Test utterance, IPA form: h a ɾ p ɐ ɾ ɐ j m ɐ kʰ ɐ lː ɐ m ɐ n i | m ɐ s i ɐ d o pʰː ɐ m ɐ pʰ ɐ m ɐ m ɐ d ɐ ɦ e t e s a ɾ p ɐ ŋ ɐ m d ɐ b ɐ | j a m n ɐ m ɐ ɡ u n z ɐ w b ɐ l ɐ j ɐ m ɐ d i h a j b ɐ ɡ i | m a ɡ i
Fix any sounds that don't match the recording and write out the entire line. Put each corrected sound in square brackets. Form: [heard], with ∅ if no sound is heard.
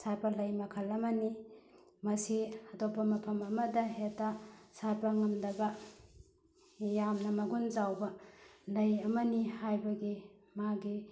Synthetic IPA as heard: [s] a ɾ p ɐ [l] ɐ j m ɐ kʰ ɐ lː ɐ m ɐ n i | m ɐ s i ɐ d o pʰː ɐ m ɐ pʰ ɐ m ɐ m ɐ d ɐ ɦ e t [a] s a ɾ p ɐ ŋ ɐ m d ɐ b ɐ | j a m n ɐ m ɐ ɡ u n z [a] w b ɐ l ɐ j ɐ m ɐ [n] i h a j b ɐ ɡ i | m a ɡ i